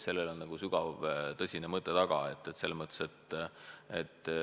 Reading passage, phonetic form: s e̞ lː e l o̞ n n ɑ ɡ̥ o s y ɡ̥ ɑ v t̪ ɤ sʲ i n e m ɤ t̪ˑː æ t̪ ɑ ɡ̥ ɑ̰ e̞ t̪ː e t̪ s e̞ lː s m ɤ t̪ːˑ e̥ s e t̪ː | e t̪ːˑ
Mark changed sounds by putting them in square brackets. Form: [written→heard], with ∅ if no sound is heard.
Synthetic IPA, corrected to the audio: s e̞ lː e l o̞ n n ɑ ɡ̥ [o→u] s y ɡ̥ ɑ v t̪ ɤ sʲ i n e m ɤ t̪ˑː [æ→e] t̪ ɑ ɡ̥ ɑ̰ e̞ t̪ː e t̪ s e̞ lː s m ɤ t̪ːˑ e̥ s e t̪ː | e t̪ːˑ